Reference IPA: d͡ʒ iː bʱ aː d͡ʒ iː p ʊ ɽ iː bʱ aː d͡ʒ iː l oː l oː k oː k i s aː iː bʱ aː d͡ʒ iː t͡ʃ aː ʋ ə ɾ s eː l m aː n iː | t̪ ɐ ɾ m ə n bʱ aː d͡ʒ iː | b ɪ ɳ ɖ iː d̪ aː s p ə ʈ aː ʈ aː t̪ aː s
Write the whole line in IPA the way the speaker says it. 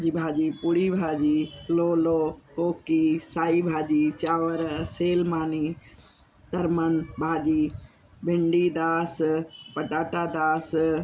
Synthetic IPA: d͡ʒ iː bʱ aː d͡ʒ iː p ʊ ɽ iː bʱ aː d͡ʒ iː l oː l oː k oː k i s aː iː bʱ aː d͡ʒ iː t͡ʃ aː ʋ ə ɾ s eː l m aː n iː | t̪ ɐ ɾ m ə n bʱ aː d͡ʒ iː | b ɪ ɳ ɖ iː d̪ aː s p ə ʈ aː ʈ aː d̪ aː s